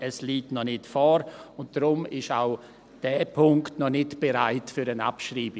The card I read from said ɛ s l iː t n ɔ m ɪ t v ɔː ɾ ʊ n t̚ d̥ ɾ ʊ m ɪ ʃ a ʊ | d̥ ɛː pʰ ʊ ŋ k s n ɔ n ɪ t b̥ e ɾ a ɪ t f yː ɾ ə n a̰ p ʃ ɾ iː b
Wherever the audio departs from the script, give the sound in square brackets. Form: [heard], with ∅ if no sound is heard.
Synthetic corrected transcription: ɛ s l iː t n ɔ [n] ɪ t [f] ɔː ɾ ʊ n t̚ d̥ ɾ ʊ m ɪ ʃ a ʊ | d̥ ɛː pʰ ʊ ŋ k [t] n ɔ n ɪ t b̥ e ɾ a ɪ t f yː ɾ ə n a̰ p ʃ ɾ iː b

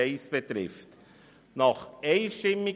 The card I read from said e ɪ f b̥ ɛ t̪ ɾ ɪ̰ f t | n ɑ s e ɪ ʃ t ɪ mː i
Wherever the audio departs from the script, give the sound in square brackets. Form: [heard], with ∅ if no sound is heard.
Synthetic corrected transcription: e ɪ [s] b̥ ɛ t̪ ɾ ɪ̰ f t | n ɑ [χ] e ɪ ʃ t ɪ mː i

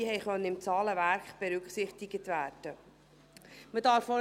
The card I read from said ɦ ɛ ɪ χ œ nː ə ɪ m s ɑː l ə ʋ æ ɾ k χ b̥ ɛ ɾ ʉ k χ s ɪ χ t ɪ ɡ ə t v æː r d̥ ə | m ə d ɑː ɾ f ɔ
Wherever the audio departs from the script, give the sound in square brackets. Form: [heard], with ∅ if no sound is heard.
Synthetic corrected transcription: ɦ ɛ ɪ χ œ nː ə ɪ m [t͡s] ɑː l ə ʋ æ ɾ k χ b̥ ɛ ɾ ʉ k χ s ɪ χ t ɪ ɡ ə t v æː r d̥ ə | m ə d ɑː ɾ f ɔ

